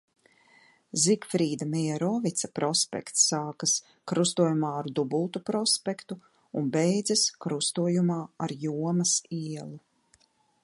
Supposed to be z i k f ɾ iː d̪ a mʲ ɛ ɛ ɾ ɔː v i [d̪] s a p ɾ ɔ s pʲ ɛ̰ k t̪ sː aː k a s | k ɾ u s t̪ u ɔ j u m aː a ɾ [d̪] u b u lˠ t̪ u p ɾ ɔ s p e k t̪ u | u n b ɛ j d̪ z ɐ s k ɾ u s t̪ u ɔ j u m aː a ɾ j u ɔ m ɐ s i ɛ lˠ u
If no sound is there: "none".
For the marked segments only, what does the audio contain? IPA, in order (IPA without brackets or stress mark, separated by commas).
t̪, d̪